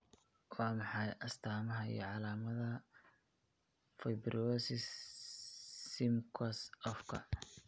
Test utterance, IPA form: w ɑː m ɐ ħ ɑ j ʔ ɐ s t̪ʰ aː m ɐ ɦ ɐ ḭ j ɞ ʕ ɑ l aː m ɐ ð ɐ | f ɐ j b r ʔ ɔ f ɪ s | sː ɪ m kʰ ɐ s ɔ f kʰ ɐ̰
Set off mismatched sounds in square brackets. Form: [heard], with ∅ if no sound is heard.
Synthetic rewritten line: w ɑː m [ɑ] ħ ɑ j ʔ ɐ s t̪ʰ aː m ɐ ɦ ɐ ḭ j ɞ ʕ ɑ l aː m ɐ ð ɐ | f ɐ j b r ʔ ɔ [s] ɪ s | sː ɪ m kʰ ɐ s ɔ f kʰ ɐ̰